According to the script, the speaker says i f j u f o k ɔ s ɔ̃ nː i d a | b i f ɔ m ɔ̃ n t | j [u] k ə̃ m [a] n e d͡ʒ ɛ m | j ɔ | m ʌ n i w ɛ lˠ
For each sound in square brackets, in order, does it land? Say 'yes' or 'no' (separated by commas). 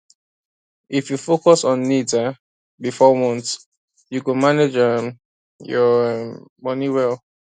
yes, yes